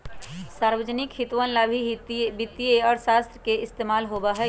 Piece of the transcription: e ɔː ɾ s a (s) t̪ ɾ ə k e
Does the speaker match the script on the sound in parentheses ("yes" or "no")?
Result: yes